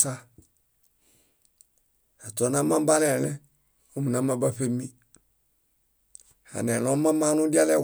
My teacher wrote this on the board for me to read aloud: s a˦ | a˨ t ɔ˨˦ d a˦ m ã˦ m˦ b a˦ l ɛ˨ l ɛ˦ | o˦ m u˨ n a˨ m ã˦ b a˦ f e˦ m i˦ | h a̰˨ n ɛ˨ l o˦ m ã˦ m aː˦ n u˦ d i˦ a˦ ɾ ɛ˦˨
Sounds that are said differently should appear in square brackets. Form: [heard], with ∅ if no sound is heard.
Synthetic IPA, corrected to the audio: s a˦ | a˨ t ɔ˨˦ [n] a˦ m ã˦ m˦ b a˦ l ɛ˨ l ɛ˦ | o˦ m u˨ n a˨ m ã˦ b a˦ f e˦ m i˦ | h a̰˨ n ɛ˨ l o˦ m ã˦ m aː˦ n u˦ d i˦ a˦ [l] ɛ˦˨

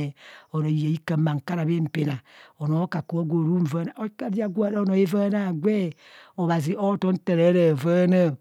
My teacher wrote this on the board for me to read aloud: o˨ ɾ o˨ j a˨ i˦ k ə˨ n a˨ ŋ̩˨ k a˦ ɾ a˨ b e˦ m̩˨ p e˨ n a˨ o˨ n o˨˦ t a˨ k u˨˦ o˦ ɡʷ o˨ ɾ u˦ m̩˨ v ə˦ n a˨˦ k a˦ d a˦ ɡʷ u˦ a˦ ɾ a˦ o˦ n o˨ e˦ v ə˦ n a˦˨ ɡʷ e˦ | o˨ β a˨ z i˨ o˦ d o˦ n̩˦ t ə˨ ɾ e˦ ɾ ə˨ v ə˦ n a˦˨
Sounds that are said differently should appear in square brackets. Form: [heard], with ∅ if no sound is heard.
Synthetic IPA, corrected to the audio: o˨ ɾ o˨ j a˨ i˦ k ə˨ [m] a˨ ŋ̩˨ k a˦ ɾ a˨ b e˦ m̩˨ p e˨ n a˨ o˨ n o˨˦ [k] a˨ k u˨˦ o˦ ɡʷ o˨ ɾ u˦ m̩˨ v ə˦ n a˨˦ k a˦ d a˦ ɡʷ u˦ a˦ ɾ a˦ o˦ n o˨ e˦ v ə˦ n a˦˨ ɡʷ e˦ | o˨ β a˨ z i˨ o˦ [t] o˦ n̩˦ t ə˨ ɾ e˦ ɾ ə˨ v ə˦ n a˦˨

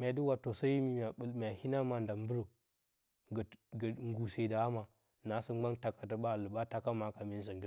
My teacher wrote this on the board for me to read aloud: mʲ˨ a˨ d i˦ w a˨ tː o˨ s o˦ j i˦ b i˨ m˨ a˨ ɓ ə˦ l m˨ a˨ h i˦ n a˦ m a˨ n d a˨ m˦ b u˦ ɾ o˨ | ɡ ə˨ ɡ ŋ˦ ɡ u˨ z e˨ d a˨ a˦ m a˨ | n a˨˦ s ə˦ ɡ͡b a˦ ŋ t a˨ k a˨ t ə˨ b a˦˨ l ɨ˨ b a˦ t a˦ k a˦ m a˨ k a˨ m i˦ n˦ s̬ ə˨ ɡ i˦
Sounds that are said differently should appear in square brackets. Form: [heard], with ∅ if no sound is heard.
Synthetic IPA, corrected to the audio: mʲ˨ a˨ d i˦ w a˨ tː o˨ s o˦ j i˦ [m] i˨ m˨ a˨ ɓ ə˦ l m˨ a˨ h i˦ n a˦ m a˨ n d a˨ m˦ b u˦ ɾ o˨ | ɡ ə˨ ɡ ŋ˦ ɡ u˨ [s] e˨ d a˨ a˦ m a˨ | n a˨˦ s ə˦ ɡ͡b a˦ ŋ t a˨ k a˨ t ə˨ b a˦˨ l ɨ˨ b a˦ t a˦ k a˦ m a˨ k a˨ m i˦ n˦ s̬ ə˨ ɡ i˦

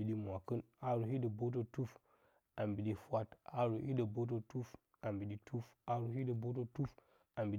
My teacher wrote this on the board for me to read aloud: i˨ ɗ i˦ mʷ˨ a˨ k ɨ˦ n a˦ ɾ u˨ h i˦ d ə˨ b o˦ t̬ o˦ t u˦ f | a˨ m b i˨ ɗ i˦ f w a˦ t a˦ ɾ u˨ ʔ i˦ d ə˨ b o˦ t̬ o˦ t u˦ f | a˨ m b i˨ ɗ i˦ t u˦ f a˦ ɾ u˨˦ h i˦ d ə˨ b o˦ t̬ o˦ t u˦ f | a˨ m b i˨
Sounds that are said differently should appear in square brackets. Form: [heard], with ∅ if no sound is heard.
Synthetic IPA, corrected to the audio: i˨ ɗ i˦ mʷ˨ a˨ k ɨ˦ n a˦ ɾ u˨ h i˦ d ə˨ b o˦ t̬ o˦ t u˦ f | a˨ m b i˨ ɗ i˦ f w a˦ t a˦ ɾ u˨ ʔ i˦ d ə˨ b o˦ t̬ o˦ t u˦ f | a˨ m b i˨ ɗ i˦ t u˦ f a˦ ɾ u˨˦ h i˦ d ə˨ b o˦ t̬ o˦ t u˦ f | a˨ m b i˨

